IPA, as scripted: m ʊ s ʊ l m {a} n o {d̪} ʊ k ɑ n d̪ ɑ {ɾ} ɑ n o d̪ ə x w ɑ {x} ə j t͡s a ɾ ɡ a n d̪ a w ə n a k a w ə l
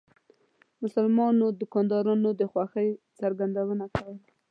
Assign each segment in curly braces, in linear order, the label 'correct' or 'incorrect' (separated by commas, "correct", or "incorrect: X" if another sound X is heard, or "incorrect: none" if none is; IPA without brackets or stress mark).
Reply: incorrect: ɑ, correct, correct, correct